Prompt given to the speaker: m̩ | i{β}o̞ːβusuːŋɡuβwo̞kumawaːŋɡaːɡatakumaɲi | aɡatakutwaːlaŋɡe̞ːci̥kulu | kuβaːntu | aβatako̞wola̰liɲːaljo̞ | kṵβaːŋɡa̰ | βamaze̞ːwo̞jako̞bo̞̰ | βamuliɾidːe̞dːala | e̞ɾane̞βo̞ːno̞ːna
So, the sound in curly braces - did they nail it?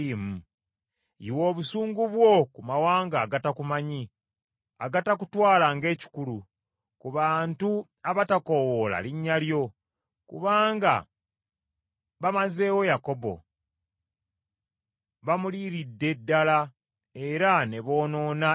no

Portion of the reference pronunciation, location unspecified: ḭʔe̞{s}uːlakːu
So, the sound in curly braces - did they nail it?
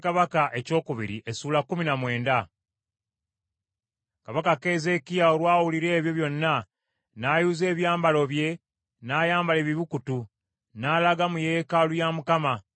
yes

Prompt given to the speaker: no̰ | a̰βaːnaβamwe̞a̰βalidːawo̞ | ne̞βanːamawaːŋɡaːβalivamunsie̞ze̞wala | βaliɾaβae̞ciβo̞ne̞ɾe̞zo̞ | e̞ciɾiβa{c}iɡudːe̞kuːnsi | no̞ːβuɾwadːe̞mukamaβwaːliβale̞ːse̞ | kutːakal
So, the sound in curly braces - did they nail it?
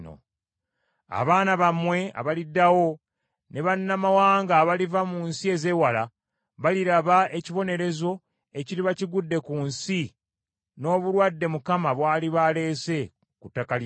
yes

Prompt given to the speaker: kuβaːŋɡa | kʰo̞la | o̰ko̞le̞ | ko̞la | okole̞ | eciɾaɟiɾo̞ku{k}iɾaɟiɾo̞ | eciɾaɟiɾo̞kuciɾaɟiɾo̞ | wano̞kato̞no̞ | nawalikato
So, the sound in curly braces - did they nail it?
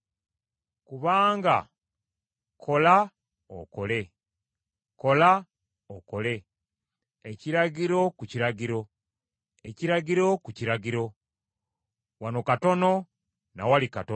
no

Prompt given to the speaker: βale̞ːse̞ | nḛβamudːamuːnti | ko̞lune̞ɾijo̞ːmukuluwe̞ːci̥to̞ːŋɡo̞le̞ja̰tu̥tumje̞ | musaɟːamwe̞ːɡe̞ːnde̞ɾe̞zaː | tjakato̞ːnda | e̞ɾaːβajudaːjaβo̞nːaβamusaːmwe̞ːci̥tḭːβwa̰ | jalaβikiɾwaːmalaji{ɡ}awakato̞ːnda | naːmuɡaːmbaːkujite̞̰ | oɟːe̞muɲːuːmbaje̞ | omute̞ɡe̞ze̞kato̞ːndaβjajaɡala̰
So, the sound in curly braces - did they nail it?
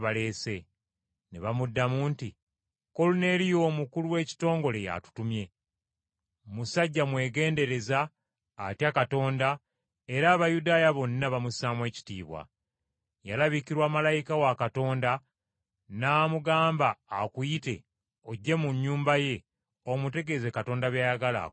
no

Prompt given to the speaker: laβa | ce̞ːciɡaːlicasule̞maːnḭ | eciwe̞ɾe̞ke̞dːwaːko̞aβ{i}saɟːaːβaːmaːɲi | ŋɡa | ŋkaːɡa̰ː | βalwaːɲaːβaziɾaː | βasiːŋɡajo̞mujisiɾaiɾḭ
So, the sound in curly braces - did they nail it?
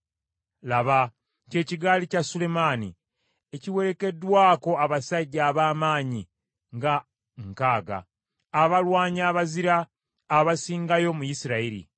no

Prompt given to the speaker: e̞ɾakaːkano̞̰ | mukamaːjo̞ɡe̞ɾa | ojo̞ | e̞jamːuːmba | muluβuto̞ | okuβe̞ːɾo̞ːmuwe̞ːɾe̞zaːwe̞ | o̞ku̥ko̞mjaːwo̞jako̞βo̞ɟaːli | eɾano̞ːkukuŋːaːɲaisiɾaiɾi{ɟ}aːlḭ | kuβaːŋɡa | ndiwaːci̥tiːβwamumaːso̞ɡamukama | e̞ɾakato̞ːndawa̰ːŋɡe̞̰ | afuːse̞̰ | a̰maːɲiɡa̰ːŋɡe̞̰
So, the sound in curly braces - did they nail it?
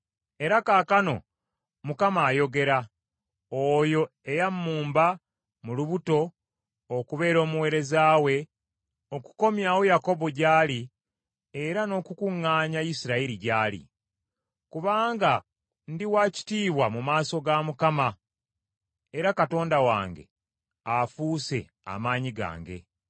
yes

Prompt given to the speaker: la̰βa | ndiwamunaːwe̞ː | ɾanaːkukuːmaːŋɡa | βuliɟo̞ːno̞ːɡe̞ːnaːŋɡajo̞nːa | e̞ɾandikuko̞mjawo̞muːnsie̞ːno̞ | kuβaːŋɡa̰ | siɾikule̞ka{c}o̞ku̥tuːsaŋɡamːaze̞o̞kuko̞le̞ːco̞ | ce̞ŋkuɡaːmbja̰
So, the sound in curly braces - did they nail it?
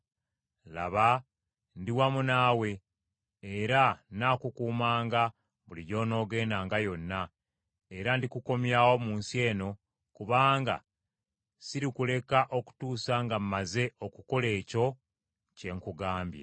no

